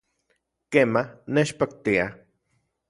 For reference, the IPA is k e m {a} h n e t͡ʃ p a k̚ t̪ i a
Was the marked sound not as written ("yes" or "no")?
no